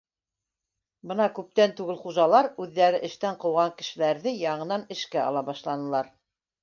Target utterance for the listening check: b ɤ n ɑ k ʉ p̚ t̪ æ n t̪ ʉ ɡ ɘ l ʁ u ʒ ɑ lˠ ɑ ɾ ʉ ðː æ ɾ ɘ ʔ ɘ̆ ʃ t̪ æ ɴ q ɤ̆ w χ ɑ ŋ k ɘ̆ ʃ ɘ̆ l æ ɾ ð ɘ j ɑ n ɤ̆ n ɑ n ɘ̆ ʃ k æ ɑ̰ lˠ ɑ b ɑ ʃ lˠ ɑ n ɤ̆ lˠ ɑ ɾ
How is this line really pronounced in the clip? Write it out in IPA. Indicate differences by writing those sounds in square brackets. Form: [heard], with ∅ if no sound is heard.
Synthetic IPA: b ɤ n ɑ k ʉ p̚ t̪ æ n t̪ ʉ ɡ ɘ l [χ] u ʒ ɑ lˠ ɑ ɾ ʉ ðː æ ɾ ɘ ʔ ɘ̆ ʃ t̪ æ ɴ q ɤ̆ w [ʁ] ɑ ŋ k ɘ̆ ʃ ɘ̆ l æ ɾ ð ɘ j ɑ [ɴ] ɤ̆ n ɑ n ɘ̆ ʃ k æ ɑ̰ lˠ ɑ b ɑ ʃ lˠ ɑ n ɤ̆ lˠ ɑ ɾ